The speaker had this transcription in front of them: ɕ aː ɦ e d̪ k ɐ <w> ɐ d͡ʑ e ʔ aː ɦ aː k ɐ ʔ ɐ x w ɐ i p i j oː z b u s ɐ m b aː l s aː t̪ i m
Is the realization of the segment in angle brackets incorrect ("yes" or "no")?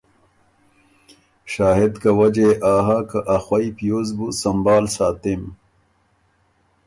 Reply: no